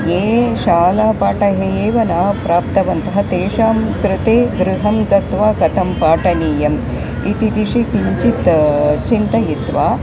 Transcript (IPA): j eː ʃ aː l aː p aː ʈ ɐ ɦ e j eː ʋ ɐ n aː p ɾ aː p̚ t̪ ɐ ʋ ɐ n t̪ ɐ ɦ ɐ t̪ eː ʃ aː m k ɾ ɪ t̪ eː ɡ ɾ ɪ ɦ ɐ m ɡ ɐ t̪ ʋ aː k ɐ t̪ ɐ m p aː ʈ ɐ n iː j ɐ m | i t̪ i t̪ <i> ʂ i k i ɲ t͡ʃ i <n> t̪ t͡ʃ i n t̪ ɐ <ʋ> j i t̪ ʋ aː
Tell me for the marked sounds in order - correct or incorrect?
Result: correct, incorrect, incorrect

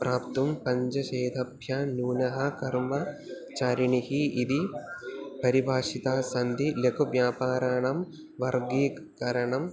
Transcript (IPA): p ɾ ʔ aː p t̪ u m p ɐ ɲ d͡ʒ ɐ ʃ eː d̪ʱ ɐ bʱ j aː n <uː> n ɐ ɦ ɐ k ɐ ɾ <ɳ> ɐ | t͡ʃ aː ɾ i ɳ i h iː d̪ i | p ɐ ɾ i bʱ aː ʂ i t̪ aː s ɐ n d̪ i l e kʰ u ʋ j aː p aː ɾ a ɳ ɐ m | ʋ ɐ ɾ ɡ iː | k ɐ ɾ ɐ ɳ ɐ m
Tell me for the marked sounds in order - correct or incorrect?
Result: correct, incorrect

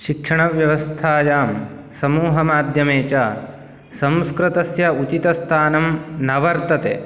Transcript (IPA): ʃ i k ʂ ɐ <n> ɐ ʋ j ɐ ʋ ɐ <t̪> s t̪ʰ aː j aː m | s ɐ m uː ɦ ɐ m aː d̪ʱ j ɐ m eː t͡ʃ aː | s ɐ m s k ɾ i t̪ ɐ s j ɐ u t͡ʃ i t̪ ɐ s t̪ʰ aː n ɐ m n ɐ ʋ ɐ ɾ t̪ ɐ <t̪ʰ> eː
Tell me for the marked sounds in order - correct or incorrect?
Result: incorrect, incorrect, incorrect

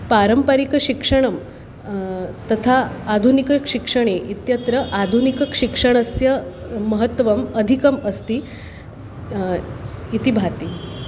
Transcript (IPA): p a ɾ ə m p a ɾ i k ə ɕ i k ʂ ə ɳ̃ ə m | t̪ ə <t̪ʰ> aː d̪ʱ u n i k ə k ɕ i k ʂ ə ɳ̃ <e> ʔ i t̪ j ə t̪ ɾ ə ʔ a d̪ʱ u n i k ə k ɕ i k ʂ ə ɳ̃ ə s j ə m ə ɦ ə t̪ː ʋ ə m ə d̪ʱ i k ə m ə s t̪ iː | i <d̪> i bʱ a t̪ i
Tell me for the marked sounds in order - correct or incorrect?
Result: correct, correct, incorrect

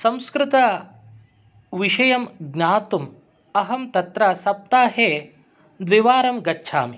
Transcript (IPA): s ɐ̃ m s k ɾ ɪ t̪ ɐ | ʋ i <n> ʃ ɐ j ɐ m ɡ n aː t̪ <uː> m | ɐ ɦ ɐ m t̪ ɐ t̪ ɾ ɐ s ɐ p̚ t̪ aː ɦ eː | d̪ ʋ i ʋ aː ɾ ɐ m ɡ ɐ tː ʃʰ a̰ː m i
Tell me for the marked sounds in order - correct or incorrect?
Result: incorrect, incorrect

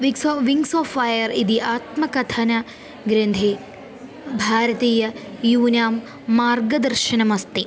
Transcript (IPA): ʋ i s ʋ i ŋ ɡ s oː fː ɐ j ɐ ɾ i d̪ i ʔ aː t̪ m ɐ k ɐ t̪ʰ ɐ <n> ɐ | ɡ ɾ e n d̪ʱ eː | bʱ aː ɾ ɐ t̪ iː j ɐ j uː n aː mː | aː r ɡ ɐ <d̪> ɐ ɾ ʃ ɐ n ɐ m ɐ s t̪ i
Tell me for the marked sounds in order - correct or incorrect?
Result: correct, correct

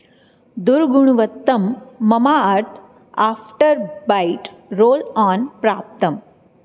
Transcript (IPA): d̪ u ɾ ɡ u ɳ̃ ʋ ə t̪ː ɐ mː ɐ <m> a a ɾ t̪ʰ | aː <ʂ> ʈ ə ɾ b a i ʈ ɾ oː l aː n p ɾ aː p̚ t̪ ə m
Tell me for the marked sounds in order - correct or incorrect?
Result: correct, incorrect

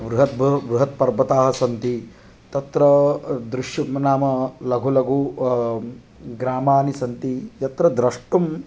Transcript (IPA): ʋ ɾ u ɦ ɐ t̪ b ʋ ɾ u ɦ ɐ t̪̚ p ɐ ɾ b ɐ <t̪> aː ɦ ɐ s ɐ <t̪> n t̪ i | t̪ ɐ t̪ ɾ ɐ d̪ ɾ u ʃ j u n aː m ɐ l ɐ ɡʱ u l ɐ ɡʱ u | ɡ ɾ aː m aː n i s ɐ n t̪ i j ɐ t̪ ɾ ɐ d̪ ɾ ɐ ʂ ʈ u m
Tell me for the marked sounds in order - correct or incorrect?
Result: correct, incorrect

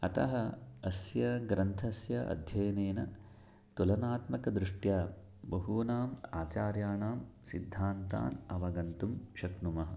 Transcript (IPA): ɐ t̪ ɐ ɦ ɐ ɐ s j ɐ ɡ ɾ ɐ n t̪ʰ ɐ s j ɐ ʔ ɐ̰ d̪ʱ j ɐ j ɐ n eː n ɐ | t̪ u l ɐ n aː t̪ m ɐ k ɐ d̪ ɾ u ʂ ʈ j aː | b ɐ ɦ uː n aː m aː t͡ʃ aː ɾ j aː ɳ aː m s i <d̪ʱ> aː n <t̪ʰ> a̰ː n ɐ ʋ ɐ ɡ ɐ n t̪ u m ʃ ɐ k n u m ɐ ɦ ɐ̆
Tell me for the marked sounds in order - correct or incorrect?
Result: incorrect, incorrect

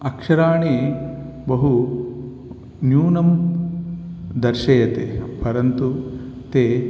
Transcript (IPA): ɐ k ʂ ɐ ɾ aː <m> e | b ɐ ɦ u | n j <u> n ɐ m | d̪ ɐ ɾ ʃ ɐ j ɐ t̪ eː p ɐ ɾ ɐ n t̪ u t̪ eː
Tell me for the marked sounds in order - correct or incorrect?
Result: incorrect, incorrect

